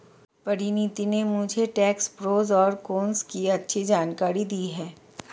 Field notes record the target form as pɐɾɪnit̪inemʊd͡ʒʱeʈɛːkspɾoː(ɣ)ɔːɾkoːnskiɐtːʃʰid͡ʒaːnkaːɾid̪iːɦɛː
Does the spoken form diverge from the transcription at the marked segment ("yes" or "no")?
yes